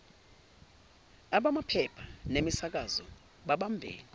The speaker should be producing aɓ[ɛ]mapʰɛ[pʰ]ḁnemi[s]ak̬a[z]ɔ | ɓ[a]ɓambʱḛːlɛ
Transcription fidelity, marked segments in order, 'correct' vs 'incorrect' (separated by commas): incorrect, correct, correct, correct, correct